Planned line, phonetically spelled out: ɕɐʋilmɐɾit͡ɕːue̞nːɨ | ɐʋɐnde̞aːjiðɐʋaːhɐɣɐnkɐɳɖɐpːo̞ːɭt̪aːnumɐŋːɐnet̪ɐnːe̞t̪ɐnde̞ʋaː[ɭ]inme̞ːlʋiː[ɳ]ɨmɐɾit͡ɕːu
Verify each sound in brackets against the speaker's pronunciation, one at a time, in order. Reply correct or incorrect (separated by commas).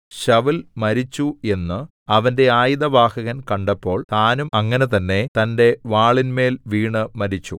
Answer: correct, correct